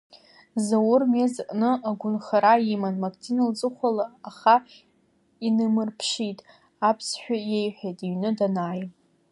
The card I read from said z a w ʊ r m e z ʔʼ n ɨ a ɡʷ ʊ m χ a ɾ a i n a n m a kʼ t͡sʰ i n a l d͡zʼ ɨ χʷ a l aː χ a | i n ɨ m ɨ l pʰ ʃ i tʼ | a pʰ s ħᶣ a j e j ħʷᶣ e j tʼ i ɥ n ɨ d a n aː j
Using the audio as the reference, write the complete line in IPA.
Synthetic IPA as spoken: z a w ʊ r m e z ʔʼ n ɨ a ɡʷ ʊ n χ a ɾ a i m a n m a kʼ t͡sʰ i n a l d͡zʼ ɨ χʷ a l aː χ a | i n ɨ m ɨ r pʰ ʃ i tʼ | a pʰ s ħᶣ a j e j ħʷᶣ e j tʼ i ɥ n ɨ d a n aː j